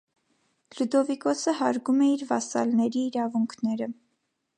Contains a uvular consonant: no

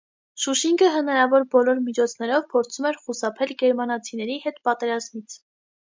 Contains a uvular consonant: yes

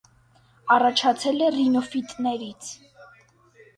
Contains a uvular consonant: no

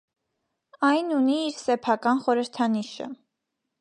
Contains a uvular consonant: yes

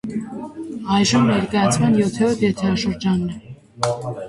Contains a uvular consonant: no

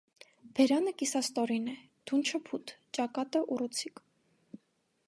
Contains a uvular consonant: no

